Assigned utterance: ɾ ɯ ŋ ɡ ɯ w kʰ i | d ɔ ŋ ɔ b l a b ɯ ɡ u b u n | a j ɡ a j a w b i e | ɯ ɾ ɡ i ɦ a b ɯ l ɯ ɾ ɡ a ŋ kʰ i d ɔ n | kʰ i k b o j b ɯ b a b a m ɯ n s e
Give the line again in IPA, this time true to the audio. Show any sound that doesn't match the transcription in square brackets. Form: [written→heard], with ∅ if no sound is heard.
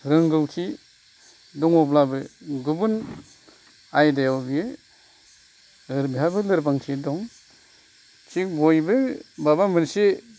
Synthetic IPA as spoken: ɾ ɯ ŋ ɡ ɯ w kʰ i | d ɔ ŋ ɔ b l a b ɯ ɡ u b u n | a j [ɡ→d] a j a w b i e | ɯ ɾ [ɡ→b] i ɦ a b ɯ l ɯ ɾ [ɡ→b] a ŋ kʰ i d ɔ [n→ŋ] | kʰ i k b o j b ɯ b a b a m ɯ n s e